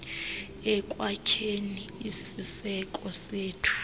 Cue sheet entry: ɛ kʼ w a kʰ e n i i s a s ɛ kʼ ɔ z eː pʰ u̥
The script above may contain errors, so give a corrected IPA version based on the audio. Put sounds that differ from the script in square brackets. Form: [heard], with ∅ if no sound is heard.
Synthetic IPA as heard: ɛ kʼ w a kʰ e n i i s [i] s ɛ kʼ ɔ [s] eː [tʰ] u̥